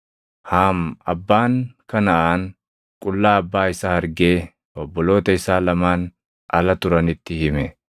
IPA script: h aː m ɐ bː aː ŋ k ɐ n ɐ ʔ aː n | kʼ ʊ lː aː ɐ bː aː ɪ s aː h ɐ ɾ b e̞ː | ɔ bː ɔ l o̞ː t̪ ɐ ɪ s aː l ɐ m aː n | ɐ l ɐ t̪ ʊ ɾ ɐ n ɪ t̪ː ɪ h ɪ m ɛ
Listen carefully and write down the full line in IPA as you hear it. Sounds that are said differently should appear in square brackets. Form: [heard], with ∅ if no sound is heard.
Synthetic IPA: h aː m ɐ bː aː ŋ k ɐ n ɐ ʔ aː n | kʼ ʊ lː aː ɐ bː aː ɪ s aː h ɐ ɾ [ɡ] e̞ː | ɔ bː ɔ l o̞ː t̪ ɐ ɪ s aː l ɐ m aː n | ɐ l ɐ t̪ ʊ ɾ ɐ n ɪ t̪ː ɪ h ɪ m ɛ